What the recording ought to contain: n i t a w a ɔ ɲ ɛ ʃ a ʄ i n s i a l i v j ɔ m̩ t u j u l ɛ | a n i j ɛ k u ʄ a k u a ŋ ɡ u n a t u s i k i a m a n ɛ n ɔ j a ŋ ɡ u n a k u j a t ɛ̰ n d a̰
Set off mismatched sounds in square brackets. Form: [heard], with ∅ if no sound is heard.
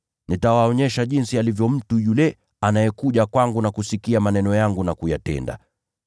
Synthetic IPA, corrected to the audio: n i t a w a ɔ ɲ ɛ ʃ a ʄ i n s i a l i v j ɔ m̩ t u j u l ɛ | a n [a] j ɛ k u ʄ a k [w] a ŋ ɡ u n a [k] u s i k i a m a n ɛ n ɔ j a ŋ ɡ u n a k u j a t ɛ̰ n d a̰